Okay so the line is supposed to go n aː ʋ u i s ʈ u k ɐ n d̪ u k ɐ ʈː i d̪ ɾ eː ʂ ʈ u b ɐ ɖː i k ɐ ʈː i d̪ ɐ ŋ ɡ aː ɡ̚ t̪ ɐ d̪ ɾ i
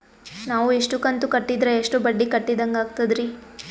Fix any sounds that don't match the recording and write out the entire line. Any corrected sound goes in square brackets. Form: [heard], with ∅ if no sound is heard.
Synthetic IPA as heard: n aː ʋ u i [ʂ] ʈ u k ɐ n [t̪] u k ɐ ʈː i d̪ ɾ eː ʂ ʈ u b ɐ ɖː i k ɐ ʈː i d̪ ɐ ŋ ɡ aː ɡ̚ t̪ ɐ d̪ ɾ i